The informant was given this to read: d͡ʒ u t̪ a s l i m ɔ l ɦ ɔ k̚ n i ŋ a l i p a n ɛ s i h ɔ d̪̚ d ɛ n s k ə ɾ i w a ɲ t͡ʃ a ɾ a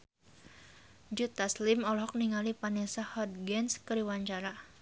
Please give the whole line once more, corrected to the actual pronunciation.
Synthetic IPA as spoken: d͡ʒ u t̪ a s l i m ɔ l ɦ ɔ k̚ n i ŋ a l i p a n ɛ s a h ɔ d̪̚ ɡ ɛ n s k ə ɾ i w a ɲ t͡ʃ a ɾ a